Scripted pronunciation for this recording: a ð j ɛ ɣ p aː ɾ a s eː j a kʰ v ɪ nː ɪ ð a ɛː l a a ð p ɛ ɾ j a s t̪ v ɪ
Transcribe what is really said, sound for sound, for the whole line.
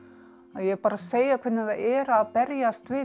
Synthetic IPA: a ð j ɛ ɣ p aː ɾ a s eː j a kʰ v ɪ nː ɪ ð a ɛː ɾ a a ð p ɛ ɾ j a s t̪ v ɪ